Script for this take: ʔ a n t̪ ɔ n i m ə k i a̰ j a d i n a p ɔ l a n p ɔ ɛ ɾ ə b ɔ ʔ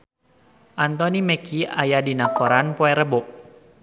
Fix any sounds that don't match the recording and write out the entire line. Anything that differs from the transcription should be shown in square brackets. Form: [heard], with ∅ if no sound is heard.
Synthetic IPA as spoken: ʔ a n t̪ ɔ n i m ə k i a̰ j a d i n a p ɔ [ɾ] a n p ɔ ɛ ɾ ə b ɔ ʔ